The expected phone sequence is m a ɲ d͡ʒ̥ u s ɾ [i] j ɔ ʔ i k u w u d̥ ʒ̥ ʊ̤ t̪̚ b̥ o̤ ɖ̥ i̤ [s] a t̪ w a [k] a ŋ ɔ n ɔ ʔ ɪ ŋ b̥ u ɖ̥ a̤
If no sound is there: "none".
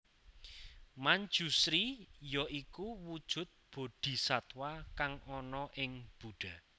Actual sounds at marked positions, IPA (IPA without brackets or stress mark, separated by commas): i, s, k